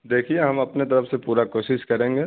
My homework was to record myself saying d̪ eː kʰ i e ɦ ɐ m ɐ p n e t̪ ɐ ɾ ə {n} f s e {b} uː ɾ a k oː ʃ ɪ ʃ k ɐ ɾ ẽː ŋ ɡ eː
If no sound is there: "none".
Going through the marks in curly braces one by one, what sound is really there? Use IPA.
none, p

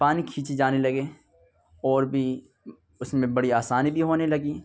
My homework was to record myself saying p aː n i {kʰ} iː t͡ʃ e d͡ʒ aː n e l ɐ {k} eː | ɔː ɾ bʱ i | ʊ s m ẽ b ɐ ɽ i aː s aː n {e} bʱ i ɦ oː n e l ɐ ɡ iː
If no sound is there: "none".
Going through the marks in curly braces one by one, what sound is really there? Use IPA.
kʰ, ɡ, i

